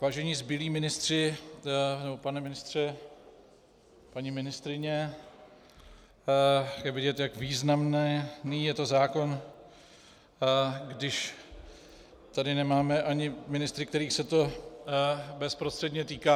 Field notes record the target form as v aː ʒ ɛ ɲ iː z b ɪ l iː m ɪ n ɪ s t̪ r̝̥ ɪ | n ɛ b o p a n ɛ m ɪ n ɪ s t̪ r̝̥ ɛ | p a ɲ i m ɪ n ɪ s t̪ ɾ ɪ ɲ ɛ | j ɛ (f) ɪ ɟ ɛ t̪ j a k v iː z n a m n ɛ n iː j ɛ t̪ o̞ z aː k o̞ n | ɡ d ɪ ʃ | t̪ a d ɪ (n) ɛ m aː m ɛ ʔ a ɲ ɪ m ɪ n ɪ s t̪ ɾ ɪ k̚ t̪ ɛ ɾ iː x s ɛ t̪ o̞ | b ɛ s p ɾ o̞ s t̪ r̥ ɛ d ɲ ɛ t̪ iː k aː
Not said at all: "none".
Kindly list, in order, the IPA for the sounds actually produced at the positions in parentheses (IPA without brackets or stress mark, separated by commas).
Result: v, n